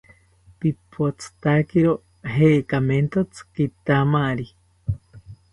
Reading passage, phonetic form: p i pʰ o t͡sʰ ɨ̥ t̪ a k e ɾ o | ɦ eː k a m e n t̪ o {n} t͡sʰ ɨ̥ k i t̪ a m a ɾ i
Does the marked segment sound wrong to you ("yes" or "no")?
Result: yes